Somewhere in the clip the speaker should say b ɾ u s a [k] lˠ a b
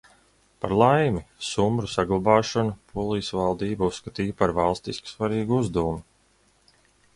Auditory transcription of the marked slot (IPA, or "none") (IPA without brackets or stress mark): ɡ